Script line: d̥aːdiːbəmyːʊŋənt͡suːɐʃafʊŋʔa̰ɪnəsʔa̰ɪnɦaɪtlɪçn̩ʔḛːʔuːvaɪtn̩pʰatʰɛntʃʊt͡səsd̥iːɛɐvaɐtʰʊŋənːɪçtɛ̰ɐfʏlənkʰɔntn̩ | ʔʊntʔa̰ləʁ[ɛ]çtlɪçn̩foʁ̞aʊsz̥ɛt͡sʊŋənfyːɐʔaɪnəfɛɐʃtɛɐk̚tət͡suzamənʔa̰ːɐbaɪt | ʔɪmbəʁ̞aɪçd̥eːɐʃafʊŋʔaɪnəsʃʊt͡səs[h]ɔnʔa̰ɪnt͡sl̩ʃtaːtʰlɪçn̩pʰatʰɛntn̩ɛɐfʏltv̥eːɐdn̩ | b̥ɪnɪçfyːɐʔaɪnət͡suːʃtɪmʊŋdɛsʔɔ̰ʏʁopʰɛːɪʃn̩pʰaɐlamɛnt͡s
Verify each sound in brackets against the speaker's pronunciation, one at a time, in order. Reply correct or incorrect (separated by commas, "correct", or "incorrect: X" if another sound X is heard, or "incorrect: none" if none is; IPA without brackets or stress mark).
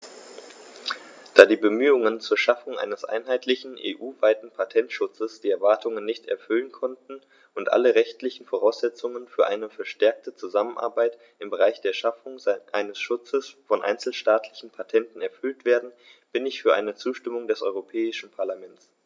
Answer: correct, incorrect: f